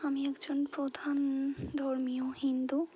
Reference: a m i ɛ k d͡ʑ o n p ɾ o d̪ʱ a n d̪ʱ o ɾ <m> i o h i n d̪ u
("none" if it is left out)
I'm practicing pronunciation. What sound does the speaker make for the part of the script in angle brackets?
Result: m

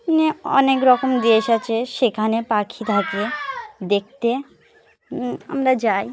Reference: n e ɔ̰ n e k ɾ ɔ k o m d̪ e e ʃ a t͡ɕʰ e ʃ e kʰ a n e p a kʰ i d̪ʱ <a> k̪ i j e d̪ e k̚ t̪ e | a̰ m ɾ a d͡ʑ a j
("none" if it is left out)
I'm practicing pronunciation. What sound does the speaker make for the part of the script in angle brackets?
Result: a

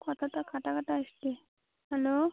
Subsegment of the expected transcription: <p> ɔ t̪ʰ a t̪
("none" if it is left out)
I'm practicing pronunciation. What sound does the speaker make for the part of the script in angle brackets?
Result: k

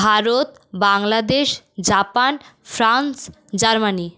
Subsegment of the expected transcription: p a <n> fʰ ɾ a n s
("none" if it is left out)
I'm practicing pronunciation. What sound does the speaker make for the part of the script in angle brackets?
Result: n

